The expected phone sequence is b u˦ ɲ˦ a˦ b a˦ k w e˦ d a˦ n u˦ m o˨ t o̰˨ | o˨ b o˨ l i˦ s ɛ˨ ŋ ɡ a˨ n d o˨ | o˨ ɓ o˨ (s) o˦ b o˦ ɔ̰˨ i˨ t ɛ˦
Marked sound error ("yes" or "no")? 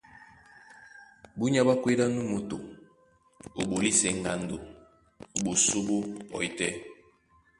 no